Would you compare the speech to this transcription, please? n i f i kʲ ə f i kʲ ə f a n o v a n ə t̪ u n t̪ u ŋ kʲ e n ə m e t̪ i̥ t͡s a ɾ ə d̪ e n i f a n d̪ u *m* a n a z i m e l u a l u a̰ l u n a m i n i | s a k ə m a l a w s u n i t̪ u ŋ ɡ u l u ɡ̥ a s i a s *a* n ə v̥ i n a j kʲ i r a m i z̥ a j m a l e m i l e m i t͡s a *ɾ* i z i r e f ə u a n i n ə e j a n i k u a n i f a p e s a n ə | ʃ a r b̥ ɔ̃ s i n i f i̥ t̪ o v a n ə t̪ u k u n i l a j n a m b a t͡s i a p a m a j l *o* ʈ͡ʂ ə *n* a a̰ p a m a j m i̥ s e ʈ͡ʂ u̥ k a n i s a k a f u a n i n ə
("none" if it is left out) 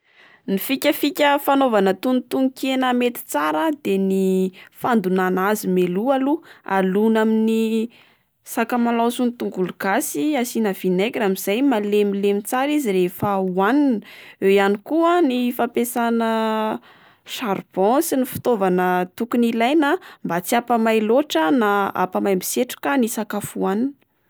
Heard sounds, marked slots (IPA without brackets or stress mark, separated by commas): n, i, ɾ, o, n